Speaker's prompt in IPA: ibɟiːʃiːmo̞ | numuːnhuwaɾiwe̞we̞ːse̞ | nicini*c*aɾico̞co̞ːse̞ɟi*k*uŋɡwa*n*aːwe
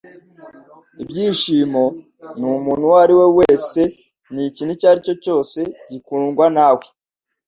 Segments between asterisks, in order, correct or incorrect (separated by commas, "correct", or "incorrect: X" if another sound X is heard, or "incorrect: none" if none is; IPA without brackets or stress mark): correct, correct, correct